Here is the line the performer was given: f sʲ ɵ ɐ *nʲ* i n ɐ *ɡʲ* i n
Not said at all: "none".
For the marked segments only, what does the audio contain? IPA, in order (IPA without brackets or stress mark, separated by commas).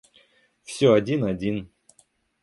dʲ, dʲ